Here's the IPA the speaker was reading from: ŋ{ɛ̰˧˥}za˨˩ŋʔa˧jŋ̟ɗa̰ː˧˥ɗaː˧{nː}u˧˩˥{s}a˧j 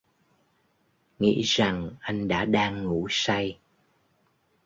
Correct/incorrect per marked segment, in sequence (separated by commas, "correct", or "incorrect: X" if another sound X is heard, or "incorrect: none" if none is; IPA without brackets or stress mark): incorrect: ḭ˧˥, incorrect: ŋː, correct